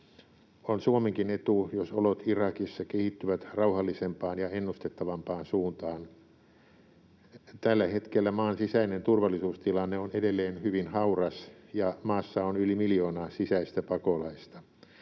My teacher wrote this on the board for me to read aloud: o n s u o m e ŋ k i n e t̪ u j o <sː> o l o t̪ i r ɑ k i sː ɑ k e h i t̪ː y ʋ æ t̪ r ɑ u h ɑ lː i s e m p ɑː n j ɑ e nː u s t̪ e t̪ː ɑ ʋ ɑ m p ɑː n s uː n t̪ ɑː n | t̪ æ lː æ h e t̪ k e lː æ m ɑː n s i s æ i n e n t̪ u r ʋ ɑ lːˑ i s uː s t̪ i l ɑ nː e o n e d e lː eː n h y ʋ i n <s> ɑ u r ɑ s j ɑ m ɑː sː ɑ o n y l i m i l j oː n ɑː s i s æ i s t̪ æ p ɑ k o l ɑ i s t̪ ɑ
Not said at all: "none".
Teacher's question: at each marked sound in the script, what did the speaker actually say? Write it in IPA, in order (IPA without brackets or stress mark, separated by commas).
s, h